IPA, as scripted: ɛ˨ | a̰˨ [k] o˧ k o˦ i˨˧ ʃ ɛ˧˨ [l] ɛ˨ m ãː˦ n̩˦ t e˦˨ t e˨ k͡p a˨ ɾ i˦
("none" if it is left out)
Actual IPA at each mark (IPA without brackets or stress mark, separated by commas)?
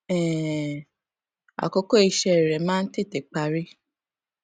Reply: k, ɾ